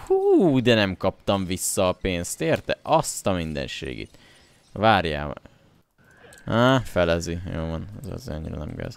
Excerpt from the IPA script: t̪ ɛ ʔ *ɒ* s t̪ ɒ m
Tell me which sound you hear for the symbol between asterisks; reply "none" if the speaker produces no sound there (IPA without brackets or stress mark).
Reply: ɒ